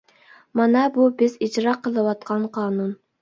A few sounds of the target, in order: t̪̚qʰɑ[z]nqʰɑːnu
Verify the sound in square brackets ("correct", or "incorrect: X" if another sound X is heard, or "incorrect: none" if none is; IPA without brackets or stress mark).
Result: incorrect: none